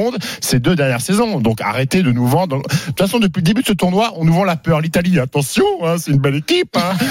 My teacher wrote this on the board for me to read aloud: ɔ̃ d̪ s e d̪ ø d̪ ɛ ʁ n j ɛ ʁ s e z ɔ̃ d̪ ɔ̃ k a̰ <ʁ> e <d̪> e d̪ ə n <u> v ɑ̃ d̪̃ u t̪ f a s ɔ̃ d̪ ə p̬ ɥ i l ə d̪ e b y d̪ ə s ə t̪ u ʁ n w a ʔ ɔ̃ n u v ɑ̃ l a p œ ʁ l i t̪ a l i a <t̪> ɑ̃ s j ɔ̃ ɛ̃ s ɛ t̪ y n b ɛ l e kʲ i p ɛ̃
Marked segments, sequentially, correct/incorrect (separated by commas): correct, incorrect, correct, correct